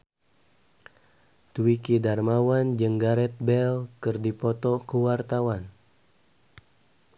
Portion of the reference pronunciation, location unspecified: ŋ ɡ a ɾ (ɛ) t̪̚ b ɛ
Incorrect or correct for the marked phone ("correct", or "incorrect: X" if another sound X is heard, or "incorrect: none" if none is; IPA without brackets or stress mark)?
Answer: correct